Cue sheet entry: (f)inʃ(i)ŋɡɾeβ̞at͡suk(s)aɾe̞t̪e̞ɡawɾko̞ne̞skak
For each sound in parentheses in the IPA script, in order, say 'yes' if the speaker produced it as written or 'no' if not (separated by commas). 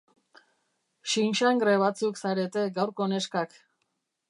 no, no, yes